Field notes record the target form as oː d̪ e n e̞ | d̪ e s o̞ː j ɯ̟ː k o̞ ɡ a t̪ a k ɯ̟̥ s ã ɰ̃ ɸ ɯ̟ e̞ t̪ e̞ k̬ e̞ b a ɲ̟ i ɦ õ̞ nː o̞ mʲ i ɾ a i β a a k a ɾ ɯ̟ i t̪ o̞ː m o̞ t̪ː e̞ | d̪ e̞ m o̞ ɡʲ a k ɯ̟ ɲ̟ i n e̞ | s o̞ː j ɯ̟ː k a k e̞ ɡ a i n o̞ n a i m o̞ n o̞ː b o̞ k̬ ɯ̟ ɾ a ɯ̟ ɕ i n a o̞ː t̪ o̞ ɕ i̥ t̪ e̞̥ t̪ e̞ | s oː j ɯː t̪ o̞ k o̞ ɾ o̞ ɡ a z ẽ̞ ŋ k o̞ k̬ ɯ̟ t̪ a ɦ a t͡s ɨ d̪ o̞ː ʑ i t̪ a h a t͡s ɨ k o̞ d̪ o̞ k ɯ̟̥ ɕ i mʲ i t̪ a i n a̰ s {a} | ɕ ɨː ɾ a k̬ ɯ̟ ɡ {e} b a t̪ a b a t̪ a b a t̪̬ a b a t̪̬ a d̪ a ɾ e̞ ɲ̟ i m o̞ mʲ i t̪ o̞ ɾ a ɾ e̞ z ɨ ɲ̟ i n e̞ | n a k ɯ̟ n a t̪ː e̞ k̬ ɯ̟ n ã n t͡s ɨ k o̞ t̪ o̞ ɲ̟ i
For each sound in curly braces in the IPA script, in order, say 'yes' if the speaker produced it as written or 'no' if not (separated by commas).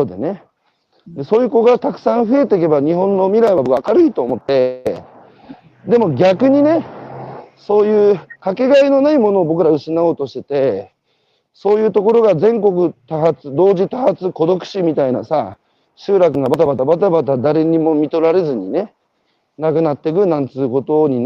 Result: yes, no